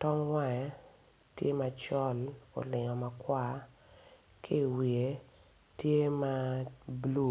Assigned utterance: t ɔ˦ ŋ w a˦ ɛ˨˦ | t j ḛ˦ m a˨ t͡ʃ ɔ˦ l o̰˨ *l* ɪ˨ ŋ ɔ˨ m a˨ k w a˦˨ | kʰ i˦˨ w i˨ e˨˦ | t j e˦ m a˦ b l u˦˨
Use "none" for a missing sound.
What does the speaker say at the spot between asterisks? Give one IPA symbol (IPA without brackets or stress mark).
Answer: l